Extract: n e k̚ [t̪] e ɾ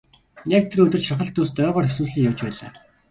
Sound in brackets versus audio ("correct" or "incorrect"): incorrect